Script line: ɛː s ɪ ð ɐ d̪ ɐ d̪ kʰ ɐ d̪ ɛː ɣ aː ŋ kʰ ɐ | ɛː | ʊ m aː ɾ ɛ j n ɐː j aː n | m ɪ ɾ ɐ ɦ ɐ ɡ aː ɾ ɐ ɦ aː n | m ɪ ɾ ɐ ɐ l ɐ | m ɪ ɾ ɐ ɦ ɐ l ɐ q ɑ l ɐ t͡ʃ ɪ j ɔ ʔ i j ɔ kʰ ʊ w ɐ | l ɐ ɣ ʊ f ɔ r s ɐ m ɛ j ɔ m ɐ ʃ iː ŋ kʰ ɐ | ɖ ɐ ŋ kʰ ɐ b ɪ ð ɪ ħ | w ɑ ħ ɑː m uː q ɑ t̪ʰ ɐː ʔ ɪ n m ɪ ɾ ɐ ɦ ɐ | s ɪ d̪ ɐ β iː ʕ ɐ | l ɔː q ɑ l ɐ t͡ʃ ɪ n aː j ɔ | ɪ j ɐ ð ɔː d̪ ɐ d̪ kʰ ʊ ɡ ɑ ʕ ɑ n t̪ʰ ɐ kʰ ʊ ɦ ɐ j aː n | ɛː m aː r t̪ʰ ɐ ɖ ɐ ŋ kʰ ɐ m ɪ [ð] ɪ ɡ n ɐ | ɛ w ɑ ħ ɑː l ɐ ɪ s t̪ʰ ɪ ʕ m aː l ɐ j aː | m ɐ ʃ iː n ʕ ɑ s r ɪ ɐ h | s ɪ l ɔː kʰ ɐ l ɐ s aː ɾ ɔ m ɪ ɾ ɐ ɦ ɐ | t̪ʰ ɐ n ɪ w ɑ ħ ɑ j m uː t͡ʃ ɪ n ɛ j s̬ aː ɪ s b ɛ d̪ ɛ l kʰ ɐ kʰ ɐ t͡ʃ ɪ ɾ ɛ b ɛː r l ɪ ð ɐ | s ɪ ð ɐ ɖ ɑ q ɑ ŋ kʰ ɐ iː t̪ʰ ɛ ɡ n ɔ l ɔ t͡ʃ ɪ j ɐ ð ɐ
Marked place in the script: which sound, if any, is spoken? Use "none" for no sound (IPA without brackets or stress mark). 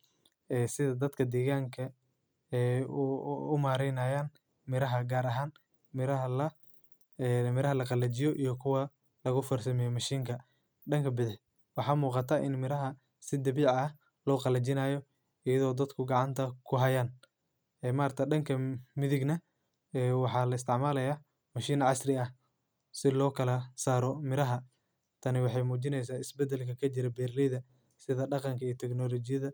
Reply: ð